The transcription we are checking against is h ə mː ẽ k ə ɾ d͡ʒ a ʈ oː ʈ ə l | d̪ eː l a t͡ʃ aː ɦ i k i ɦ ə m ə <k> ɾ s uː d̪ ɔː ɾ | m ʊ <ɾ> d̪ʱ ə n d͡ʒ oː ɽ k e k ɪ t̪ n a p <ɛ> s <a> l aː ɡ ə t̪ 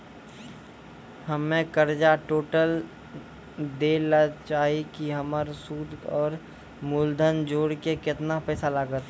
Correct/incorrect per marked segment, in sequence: incorrect: none, incorrect: l, incorrect: ɛː, correct

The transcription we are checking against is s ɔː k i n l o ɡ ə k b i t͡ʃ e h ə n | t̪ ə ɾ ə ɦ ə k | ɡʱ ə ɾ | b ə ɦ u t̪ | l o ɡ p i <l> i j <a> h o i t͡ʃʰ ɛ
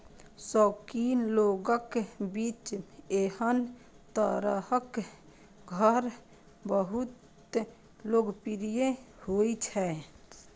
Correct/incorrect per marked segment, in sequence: incorrect: ɾ, incorrect: e

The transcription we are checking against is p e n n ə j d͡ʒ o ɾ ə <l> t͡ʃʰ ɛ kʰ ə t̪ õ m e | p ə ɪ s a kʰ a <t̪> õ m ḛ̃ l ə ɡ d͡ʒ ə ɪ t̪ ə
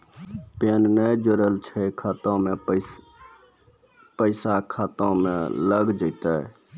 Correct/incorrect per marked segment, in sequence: correct, correct

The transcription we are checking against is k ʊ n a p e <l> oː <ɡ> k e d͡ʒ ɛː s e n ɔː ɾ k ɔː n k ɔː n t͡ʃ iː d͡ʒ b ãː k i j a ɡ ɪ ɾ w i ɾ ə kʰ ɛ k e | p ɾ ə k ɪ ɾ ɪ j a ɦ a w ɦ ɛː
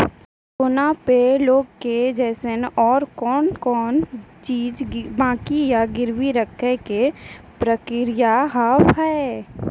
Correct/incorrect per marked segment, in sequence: correct, correct

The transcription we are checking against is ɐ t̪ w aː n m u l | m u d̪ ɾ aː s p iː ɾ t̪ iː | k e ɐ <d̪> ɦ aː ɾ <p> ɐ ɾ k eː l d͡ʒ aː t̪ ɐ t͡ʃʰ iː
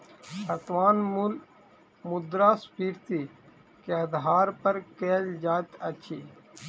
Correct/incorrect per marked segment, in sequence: correct, correct

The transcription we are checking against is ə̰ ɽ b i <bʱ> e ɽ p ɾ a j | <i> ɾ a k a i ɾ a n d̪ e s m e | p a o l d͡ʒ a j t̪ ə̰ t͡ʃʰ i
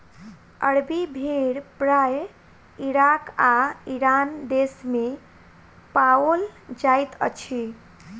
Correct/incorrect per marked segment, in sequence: correct, correct

